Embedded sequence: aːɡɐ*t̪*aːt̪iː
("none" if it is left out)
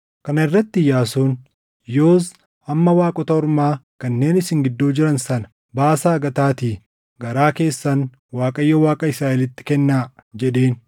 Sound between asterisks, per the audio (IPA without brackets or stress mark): t̪